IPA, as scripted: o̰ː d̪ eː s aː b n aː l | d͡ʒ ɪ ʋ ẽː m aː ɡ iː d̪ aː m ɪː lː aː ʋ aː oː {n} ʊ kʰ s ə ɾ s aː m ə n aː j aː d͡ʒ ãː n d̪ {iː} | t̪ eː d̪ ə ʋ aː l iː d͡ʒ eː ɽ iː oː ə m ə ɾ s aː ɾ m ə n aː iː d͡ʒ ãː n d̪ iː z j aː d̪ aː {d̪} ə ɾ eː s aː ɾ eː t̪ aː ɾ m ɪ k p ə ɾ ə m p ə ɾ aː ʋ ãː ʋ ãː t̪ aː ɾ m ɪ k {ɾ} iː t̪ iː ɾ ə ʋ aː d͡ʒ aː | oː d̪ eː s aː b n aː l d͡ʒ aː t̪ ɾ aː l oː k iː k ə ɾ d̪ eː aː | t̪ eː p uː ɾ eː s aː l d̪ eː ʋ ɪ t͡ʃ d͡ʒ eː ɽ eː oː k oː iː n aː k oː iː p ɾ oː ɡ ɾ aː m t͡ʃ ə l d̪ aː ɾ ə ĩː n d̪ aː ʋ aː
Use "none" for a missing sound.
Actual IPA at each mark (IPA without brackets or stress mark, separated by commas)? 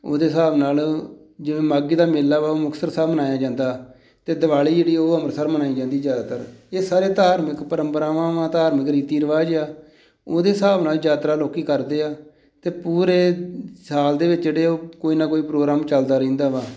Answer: m, aː, t̪, ɾ